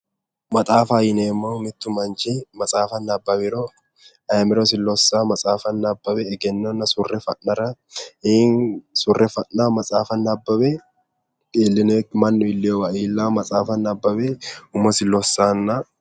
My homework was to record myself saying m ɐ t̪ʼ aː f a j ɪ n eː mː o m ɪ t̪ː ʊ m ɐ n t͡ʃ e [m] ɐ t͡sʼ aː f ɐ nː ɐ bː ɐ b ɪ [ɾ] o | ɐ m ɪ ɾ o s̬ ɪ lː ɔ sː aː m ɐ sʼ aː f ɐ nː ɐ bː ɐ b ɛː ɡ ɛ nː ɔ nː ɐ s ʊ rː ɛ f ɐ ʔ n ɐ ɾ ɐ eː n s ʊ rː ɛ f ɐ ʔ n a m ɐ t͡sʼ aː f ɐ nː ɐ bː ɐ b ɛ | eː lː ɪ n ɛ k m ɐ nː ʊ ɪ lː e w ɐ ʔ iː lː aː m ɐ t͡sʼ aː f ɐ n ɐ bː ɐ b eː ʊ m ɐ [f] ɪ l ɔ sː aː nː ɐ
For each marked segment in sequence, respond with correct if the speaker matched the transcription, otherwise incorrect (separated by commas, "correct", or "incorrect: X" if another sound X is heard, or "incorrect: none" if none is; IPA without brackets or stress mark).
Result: correct, correct, incorrect: s